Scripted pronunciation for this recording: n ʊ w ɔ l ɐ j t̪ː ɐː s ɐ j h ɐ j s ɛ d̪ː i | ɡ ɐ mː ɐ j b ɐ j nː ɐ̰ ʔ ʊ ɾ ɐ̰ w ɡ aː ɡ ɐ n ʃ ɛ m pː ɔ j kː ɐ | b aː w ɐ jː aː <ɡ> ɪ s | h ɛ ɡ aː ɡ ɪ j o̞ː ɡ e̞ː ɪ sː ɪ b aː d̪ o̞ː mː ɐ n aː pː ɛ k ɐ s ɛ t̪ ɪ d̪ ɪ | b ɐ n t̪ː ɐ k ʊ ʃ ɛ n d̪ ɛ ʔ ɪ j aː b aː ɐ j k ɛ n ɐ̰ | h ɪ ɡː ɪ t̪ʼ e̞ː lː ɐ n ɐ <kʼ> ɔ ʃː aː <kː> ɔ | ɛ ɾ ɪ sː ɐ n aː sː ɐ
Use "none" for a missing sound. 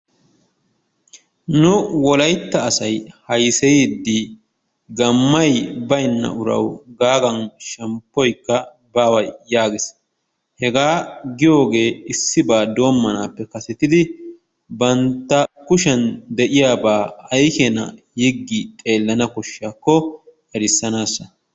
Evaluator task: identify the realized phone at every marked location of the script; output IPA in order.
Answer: ɡ, k, kː

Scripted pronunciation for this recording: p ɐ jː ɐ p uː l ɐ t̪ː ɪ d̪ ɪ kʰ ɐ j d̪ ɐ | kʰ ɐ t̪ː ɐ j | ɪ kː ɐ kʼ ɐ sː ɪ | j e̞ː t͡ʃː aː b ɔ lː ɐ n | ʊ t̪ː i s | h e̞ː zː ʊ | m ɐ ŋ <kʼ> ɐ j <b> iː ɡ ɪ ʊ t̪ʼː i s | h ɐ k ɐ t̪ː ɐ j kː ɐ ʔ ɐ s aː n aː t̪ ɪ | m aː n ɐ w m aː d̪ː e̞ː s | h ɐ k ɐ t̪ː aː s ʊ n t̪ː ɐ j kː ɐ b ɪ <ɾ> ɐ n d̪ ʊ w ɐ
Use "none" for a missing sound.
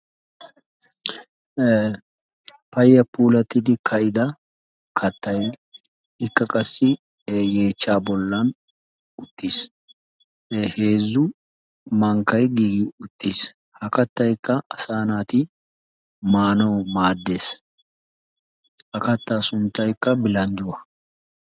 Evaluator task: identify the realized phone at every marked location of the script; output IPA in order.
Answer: k, ɡ, l

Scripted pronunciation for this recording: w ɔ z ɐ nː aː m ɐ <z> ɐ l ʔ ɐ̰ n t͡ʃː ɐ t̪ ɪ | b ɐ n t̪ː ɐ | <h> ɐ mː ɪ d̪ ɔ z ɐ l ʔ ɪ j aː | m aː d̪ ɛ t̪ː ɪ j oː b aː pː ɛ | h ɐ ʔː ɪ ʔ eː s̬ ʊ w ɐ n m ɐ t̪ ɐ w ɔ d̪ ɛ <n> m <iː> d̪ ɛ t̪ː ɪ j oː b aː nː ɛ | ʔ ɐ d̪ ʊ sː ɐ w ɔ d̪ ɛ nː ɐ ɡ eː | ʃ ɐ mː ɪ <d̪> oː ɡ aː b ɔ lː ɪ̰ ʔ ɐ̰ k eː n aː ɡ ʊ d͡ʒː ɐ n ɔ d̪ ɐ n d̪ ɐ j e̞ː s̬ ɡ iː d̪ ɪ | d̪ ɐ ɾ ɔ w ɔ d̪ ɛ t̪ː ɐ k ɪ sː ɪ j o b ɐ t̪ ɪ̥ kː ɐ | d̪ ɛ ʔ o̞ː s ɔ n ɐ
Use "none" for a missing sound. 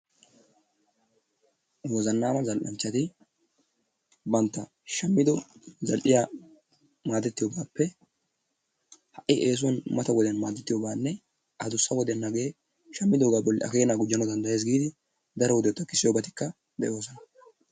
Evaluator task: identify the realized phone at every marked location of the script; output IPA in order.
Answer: z, ʃ, n, aː, d̪

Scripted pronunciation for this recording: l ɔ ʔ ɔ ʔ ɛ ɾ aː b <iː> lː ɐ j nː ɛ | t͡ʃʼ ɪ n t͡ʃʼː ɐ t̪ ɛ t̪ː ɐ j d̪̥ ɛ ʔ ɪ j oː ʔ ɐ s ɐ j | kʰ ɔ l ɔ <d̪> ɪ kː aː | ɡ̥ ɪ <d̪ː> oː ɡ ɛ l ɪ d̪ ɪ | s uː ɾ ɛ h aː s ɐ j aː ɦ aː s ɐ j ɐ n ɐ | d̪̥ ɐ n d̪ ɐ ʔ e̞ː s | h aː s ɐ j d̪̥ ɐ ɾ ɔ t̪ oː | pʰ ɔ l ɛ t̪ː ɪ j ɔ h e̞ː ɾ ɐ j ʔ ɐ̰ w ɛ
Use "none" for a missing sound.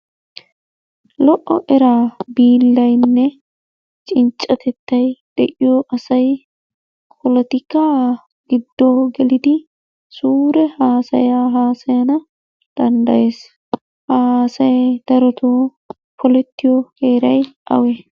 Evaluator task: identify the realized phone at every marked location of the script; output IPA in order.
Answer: iː, t̪, d̪ː

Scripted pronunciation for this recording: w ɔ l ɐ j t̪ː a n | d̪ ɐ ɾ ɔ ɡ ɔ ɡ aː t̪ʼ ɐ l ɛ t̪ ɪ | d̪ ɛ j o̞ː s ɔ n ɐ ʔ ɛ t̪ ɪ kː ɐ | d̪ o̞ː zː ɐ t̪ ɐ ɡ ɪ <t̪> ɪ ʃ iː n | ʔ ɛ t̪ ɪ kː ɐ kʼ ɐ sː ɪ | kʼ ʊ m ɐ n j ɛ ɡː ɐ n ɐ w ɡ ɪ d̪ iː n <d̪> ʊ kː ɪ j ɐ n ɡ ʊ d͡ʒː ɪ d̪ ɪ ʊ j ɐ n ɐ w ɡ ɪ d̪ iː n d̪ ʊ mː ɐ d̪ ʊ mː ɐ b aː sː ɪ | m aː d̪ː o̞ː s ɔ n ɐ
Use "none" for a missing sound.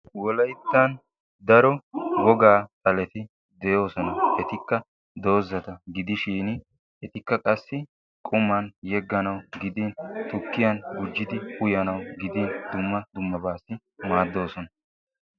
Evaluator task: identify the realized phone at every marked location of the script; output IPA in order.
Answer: d̪, t̪

